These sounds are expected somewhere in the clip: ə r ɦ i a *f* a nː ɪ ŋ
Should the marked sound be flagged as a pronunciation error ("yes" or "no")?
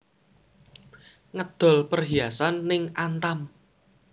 yes